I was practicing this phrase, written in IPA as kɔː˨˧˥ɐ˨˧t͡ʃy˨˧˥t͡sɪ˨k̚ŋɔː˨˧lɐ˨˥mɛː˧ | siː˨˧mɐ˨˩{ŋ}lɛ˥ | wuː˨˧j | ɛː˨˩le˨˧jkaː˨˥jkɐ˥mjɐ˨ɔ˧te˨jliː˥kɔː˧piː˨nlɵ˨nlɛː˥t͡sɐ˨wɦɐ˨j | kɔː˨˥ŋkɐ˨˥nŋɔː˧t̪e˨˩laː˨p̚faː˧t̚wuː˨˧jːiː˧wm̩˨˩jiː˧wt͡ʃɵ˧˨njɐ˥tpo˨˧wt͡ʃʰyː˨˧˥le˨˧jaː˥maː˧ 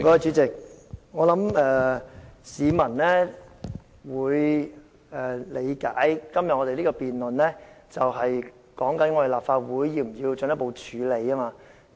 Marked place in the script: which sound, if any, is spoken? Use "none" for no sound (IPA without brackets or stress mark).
n